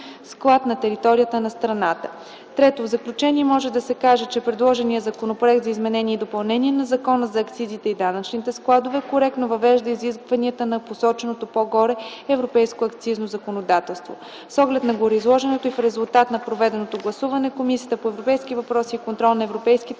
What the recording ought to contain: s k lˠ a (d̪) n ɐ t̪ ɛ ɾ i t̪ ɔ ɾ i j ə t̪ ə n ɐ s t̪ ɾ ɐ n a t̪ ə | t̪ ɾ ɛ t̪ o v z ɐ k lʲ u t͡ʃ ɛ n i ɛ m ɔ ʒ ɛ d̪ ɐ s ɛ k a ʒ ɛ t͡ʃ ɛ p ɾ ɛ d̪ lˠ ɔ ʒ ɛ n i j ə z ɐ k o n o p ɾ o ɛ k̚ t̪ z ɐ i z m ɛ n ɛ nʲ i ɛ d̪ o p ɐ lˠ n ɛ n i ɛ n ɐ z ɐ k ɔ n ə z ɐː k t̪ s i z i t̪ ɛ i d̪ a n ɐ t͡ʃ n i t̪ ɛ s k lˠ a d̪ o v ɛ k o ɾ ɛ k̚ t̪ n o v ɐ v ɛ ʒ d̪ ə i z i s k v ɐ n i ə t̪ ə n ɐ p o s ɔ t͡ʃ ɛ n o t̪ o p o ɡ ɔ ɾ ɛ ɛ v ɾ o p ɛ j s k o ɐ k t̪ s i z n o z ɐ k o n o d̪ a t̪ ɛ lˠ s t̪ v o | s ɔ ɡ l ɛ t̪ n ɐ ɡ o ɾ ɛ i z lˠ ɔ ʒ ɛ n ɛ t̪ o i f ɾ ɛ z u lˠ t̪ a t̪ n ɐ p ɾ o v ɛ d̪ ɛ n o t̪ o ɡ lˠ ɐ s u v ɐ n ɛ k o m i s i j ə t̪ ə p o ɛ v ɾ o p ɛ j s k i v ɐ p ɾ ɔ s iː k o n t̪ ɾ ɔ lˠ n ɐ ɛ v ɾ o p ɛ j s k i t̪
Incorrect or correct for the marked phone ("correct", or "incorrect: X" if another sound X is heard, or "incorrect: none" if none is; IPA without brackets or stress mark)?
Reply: incorrect: t̪